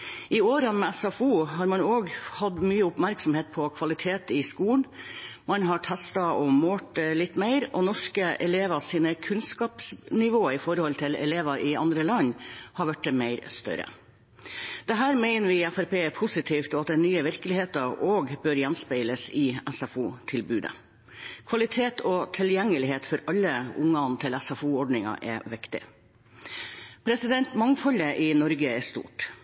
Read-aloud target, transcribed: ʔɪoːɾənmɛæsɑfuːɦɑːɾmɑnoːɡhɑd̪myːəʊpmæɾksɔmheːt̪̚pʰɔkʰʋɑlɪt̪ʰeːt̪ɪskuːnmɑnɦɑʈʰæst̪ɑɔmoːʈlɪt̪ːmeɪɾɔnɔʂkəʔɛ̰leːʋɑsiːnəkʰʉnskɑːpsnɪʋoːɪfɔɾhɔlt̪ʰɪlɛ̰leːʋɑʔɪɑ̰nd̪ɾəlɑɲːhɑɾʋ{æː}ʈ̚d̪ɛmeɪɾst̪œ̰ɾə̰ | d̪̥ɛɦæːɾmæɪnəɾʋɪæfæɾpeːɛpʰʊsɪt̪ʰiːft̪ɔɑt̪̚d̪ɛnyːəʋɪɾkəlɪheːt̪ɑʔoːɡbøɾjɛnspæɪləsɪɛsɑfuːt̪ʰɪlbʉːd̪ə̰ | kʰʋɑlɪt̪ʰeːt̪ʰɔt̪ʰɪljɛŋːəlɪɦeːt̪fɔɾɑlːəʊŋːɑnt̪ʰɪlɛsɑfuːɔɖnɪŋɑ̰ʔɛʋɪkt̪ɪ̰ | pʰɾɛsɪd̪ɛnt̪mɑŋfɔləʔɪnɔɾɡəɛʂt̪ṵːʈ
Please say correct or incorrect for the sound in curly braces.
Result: incorrect: æ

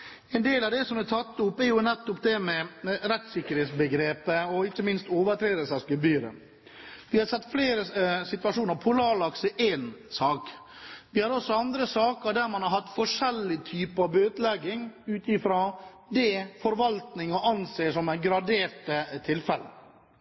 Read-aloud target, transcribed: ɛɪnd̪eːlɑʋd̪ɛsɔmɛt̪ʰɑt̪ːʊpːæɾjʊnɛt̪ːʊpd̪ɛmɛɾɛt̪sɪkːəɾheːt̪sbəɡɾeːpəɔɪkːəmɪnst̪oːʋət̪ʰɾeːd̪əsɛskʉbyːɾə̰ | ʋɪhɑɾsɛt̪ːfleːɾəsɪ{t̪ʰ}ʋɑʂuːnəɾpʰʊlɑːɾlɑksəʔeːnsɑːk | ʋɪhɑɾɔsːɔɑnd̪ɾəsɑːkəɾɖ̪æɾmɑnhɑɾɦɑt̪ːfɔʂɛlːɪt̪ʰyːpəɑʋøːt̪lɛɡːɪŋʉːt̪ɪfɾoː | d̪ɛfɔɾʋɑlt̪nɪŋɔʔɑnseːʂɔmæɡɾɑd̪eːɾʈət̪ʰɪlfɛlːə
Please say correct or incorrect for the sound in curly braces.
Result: incorrect: t̪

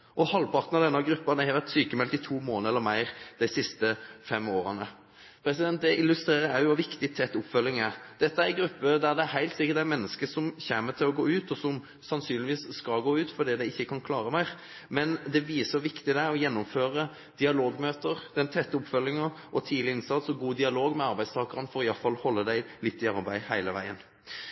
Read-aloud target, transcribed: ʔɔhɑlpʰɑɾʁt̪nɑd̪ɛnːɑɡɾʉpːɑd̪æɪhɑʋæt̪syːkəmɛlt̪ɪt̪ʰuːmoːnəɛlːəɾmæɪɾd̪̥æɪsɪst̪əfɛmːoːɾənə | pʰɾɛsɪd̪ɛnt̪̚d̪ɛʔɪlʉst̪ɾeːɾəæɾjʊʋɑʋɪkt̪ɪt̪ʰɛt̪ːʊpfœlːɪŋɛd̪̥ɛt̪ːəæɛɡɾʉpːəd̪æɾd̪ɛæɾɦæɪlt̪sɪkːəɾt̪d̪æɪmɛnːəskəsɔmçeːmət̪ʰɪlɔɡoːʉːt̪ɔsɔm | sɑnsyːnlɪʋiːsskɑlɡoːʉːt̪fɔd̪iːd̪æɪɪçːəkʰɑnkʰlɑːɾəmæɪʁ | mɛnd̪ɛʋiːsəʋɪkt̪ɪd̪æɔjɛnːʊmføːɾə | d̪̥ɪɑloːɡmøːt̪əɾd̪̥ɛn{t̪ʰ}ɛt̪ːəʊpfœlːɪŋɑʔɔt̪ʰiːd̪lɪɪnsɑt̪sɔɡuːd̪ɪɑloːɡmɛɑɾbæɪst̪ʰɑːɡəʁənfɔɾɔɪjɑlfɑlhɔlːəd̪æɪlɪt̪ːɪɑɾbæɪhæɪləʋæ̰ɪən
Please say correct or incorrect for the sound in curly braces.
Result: correct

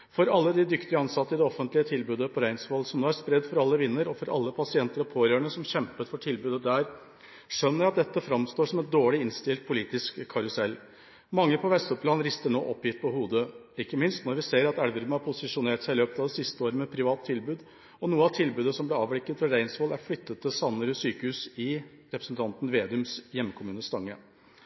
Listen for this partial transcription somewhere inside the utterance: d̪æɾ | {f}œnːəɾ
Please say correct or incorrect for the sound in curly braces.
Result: incorrect: ʂ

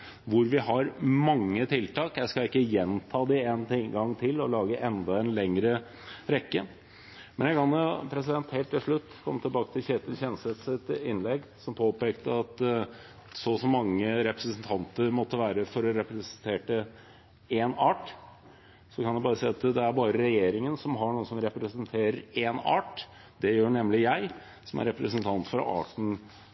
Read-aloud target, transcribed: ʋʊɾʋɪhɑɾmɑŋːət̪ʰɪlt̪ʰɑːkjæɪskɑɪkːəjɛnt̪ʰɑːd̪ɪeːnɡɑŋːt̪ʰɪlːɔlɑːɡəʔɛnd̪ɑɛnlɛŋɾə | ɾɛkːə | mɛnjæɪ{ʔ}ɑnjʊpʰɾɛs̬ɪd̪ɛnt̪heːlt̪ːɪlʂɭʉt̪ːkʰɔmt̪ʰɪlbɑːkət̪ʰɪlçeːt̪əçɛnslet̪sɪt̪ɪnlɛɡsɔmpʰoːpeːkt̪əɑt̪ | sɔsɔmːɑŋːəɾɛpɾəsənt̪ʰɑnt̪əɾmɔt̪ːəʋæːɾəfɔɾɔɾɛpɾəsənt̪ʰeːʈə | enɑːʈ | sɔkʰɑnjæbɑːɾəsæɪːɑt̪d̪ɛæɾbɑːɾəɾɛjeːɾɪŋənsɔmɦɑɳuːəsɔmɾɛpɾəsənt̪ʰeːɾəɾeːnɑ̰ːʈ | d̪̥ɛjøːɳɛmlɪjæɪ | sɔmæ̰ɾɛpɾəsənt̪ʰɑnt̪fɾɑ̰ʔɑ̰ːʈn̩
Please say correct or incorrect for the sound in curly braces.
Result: incorrect: k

